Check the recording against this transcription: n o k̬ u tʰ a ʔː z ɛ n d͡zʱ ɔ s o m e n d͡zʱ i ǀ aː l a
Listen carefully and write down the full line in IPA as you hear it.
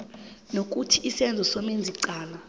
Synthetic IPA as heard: n o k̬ u tʰ i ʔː s ɛ n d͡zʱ ɔ s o m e n d͡zʱ i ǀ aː l a